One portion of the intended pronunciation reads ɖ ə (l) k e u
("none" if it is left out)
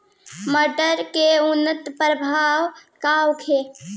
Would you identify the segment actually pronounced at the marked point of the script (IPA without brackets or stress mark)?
ɾ